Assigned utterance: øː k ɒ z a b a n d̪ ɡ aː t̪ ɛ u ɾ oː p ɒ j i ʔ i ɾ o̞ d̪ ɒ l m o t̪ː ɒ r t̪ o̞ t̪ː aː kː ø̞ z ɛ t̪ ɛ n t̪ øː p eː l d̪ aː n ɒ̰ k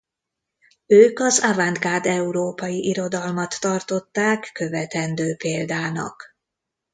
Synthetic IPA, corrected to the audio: øː k ɒ z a v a n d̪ ɡ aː d̪ ɛ u ɾ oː p ɒ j i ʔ i ɾ o̞ d̪ ɒ l m ɒ t̪ː ɒ r t̪ o̞ t̪ː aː kː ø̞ v ɛ t̪ ɛ n d̪ øː p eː l d̪ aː n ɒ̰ k